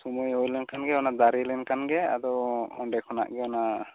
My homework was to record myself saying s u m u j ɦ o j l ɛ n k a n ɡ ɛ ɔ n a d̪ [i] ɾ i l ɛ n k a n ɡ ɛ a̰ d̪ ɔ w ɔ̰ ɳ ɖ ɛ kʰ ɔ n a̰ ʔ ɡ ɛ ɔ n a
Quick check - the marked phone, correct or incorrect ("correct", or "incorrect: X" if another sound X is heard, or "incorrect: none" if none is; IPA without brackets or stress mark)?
incorrect: a